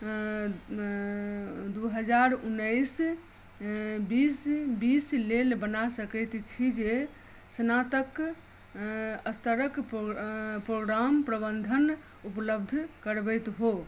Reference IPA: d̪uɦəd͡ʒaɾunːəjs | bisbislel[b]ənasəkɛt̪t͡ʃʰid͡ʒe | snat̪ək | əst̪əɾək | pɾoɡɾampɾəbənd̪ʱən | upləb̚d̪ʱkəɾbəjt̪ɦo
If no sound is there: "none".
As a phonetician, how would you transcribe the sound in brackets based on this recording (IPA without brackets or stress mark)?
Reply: b